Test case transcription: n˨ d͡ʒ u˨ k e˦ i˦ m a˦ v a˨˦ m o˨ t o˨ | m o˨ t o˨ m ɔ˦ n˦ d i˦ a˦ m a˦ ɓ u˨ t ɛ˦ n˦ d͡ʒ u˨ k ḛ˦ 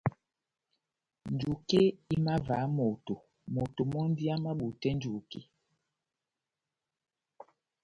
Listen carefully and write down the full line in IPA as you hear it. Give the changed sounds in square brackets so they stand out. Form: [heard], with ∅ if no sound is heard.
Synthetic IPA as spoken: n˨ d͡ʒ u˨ k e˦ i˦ m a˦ v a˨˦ m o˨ t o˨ | m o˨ t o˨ m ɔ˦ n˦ d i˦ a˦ m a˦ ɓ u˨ t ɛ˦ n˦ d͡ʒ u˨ k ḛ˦

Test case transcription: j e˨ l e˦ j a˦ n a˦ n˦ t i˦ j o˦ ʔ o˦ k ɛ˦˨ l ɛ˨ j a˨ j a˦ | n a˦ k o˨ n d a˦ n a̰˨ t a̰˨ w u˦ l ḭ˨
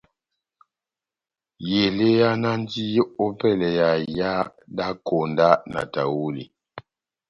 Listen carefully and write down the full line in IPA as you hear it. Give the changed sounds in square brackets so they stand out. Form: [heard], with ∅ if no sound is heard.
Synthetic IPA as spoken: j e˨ l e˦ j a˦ n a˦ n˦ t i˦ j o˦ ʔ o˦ [p] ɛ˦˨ l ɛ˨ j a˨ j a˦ | [d] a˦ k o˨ n d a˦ n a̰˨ t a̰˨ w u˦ l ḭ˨

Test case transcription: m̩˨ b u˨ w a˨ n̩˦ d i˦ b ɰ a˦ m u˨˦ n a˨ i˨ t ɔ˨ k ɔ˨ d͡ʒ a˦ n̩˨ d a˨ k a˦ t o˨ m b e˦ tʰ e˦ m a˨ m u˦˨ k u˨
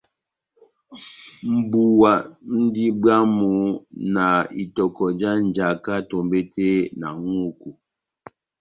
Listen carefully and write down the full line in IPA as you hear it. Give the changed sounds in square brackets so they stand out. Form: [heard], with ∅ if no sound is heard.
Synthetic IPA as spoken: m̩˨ b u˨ w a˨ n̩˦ d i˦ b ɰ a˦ m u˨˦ n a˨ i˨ t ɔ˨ k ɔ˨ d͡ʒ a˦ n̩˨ [d͡ʒ] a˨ k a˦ t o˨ m b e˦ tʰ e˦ [n] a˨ [ŋ] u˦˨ k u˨

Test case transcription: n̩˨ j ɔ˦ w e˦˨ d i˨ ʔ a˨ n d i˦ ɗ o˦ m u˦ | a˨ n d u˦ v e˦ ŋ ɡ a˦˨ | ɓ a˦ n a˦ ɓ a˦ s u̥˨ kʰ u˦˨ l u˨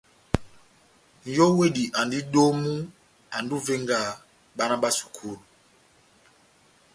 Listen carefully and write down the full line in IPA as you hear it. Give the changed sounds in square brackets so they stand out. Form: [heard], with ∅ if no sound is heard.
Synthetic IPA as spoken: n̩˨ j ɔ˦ w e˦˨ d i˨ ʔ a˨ n d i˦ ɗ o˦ m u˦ | a˨ n d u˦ v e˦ ŋ ɡ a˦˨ | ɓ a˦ n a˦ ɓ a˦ s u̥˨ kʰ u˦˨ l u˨

